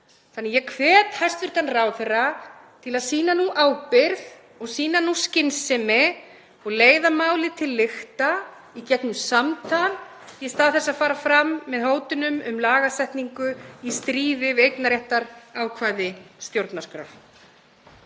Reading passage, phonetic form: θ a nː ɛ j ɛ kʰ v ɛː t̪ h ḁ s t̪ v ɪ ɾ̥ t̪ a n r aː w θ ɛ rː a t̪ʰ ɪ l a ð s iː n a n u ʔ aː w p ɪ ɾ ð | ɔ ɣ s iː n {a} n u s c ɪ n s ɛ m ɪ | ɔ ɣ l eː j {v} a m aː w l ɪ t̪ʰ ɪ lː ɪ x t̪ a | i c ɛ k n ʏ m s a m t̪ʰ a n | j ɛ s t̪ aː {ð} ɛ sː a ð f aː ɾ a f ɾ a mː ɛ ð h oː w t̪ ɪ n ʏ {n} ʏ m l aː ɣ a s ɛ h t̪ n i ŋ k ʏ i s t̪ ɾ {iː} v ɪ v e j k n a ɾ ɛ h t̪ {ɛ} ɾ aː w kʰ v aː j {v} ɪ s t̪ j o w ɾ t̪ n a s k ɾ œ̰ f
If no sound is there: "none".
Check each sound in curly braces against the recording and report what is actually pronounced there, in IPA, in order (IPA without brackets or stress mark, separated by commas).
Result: a, ð, θ, m, iː, a, ð